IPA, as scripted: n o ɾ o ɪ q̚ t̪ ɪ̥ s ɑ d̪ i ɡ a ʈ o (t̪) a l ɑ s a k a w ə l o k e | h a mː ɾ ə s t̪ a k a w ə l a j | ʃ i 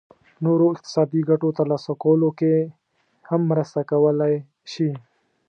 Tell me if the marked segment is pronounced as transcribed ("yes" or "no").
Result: yes